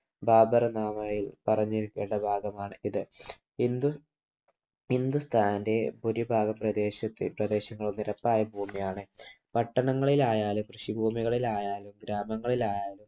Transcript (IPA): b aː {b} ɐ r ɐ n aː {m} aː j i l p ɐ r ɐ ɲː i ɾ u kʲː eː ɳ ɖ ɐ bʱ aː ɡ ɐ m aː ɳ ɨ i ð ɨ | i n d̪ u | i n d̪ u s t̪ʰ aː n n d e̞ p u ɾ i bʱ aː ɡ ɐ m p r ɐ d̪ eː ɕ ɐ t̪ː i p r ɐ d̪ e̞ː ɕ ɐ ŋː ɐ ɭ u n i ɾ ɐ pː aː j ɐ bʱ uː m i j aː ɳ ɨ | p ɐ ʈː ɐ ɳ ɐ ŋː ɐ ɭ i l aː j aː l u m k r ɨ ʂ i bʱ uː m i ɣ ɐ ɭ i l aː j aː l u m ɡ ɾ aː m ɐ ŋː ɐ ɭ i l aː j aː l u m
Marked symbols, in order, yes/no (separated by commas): yes, yes